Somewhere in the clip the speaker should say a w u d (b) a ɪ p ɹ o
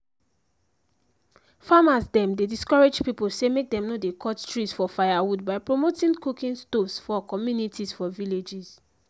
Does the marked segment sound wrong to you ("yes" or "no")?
no